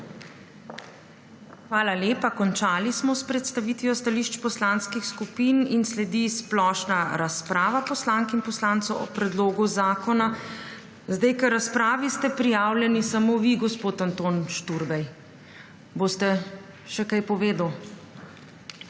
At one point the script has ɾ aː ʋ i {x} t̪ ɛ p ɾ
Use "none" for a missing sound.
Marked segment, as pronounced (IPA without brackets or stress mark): s